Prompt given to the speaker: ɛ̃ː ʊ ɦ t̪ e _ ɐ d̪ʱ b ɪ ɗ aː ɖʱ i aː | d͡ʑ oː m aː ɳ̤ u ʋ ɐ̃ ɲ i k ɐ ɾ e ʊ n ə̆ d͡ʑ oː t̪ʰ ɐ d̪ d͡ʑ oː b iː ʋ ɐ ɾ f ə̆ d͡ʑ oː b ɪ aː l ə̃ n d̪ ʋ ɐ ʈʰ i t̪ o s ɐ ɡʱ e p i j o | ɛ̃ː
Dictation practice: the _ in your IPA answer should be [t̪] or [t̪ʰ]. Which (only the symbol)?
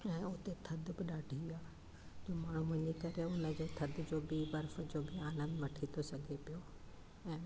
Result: t̪ʰ